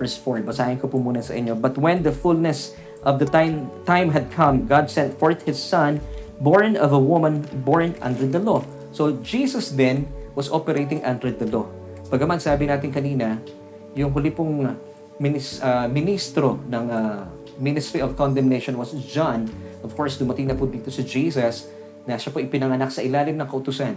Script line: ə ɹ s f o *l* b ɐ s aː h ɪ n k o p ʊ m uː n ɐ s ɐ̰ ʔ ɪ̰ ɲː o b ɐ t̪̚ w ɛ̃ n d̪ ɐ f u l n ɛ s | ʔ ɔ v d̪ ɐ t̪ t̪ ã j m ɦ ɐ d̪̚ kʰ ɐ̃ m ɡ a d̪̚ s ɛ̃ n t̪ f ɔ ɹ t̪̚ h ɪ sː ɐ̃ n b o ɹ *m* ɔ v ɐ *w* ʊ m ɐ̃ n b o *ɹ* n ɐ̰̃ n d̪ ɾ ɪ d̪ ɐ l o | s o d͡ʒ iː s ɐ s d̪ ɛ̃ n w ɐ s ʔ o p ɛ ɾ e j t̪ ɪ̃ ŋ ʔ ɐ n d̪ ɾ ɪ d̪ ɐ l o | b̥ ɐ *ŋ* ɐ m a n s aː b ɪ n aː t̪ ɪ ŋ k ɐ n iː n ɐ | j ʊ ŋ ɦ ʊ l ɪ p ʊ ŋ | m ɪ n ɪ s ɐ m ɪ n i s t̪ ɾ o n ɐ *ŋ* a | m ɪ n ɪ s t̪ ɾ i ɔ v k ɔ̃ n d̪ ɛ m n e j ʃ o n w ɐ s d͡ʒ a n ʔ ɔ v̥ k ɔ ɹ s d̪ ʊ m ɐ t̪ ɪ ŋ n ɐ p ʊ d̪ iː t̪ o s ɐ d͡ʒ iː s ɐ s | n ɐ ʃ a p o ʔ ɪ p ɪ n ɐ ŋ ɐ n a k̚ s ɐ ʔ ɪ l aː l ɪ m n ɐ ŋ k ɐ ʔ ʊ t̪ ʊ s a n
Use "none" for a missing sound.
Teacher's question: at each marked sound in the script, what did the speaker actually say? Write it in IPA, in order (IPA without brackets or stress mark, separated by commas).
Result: ɹ, n, w, ɹ, ɡ, ŋ